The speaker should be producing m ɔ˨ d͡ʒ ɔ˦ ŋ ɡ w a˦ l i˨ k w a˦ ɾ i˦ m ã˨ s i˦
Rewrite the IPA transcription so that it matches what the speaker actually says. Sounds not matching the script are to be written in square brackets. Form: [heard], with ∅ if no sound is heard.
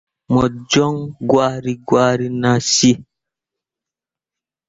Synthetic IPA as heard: m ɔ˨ d͡ʒ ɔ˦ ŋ ɡ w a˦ [ɾ] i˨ [ɡ] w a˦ ɾ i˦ [n] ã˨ s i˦